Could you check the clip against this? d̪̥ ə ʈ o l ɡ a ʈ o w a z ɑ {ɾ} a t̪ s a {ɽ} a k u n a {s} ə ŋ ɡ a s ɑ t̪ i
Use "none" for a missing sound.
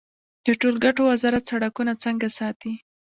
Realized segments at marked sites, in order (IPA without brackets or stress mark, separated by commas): ɾ, ɽ, t͡s